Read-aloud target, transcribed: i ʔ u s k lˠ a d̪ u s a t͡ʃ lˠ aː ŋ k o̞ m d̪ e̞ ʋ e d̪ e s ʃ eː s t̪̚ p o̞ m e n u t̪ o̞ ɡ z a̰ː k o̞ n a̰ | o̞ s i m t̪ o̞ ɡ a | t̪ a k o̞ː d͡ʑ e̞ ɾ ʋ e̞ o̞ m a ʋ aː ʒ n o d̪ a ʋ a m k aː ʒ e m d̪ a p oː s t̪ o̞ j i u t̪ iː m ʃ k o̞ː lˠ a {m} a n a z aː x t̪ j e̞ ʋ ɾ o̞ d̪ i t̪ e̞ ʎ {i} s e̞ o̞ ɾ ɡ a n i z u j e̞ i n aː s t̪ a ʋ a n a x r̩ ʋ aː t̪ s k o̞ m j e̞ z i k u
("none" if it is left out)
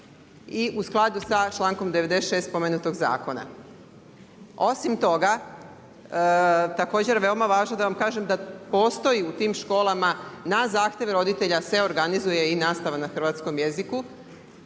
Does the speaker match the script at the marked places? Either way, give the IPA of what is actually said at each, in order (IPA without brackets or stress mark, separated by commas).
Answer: m, a